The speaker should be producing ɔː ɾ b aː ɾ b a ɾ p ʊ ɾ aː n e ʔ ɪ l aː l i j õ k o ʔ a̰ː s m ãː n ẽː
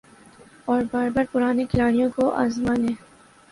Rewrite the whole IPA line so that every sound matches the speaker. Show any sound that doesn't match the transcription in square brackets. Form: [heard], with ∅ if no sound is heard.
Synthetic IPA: ɔː ɾ b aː ɾ b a ɾ p ʊ ɾ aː n e [k] ɪ l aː [ɽ] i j õ k o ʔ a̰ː [z] m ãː n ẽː